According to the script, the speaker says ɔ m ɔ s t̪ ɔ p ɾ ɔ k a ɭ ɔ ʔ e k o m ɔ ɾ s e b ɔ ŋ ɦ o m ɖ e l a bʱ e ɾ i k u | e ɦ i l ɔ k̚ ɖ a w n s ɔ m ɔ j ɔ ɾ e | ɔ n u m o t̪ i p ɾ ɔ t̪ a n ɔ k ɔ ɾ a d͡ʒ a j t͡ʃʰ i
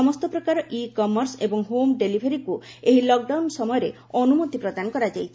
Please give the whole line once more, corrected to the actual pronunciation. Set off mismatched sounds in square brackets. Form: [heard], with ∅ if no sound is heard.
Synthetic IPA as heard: ɔ m ɔ s t̪ ɔ p ɾ ɔ k a [ɾ] ɔ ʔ [i] k [ɔ] m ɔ ɾ s e b ɔ ŋ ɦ o m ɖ e l [i] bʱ e ɾ i k u | e ɦ i l ɔ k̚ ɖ a w n s ɔ m ɔ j ɔ ɾ e | ɔ n u m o t̪ i p ɾ ɔ [d̪] a n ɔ k ɔ ɾ a d͡ʒ a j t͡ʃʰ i

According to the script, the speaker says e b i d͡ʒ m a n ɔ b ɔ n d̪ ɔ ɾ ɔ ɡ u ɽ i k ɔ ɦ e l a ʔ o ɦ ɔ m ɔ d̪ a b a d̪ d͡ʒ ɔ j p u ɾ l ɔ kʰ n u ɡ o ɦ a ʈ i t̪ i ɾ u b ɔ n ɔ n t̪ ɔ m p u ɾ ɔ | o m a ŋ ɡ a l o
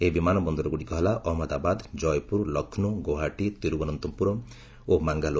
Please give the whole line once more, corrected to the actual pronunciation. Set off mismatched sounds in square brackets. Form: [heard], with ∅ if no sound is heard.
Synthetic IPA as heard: e b i [∅] m a n ɔ b ɔ n d̪ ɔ ɾ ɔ ɡ u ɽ i k ɔ ɦ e l a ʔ [ɔ] ɦ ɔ m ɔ d̪ a b a d̪ d͡ʒ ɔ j p u ɾ l ɔ kʰ n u ɡ o ɦ a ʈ i t̪ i ɾ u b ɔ n ɔ n t̪ ɔ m p u ɾ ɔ | o m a ŋ ɡ a l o

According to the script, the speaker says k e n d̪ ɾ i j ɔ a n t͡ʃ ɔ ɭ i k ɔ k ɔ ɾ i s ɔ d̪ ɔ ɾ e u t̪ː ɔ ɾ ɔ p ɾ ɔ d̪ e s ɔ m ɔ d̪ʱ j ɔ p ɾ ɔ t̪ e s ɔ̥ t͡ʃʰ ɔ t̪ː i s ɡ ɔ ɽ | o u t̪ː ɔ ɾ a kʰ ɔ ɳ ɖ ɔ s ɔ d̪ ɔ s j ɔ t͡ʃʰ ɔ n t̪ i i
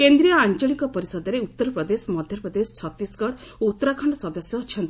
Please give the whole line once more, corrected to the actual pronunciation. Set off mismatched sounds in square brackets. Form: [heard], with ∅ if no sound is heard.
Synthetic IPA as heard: k e n d̪ ɾ i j ɔ a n t͡ʃ ɔ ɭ i k ɔ [p] ɔ ɾ i s ɔ d̪ ɔ ɾ e u t̪ː ɔ ɾ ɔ p ɾ ɔ d̪ e s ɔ m ɔ d̪ʱ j ɔ p ɾ ɔ [d̪] e s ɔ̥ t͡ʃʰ ɔ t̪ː i s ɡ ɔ ɽ | o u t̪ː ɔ ɾ a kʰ ɔ ɳ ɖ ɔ s ɔ d̪ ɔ s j ɔ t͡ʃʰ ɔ n t̪ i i

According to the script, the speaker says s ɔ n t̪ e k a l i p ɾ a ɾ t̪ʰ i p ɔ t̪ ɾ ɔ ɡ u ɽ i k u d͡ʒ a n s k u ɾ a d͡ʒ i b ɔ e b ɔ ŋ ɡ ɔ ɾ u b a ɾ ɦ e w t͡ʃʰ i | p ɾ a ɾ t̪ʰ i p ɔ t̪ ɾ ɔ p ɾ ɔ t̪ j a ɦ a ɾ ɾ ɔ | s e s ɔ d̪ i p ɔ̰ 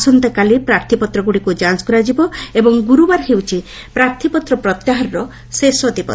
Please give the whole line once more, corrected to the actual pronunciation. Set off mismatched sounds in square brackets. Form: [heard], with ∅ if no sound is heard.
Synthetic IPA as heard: s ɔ n t̪ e k a l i p ɾ a ɾ t̪ʰ i p ɔ t̪ ɾ ɔ ɡ u ɽ i k u d͡ʒ a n s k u ɾ a d͡ʒ i b ɔ e b ɔ ŋ ɡ [u] ɾ u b a ɾ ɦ e w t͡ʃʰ i | p ɾ a ɾ t̪ʰ i p ɔ t̪ ɾ ɔ p ɾ ɔ t̪ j a ɦ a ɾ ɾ ɔ | s e s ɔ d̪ i p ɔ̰

